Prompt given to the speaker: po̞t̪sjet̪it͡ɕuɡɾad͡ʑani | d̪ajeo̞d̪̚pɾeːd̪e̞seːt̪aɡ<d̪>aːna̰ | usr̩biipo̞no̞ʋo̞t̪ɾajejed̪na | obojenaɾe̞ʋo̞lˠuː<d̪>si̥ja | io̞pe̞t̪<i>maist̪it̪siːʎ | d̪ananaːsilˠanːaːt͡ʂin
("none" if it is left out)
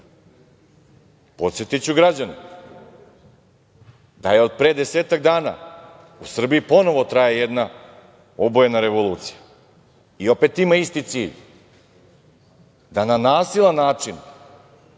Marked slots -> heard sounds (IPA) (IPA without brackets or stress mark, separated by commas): d̪, t̪, i